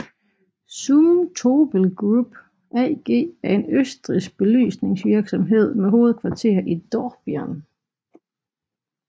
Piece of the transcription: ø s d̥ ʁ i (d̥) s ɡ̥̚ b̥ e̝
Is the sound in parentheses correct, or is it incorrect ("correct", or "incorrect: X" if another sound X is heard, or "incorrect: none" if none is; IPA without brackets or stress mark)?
incorrect: none